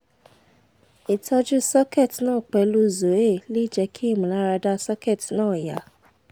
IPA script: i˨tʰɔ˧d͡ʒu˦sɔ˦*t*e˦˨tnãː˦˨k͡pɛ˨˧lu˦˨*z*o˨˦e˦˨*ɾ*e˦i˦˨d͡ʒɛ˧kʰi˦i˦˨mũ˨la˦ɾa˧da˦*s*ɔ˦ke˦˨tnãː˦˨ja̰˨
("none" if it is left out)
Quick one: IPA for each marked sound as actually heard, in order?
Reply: k, z, l, s

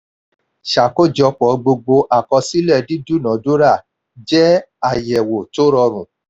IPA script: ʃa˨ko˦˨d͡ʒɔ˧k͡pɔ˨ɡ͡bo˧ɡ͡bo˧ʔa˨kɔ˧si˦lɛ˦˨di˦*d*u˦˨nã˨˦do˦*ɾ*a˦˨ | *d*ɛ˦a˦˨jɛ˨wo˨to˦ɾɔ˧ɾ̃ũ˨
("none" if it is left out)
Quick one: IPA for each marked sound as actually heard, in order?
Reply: d, ɾ, d͡ʒ

